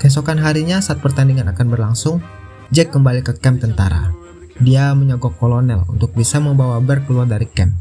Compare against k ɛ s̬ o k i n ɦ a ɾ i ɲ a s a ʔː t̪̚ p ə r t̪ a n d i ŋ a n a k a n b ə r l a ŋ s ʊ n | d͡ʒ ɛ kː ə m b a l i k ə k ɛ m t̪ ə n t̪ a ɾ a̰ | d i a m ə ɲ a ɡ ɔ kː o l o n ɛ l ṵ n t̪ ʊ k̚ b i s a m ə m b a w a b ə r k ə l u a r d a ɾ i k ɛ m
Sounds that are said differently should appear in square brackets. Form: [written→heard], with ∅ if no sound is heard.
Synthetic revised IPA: k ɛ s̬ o k [i→a] n ɦ a ɾ i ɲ a s a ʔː t̪̚ p ə r t̪ a n d i ŋ a n a k a n b ə r l a ŋ s ʊ [n→ŋ] | d͡ʒ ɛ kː ə m b a l i k ə k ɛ m t̪ ə n t̪ a ɾ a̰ | d i a m ə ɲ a ɡ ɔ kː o l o n ɛ l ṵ n t̪ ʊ k̚ b i s a m ə m b a w a b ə r k ə l u a r d a ɾ i k ɛ m